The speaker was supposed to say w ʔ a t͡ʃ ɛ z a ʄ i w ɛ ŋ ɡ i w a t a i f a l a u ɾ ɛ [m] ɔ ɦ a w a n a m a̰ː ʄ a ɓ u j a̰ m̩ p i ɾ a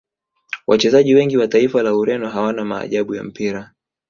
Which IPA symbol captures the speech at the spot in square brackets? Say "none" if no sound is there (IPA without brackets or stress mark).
n